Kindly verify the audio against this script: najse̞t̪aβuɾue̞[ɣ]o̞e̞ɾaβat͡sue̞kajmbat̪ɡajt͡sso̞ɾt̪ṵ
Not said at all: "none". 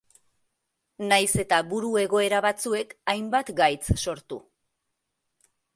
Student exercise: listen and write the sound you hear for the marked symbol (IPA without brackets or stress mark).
ɣ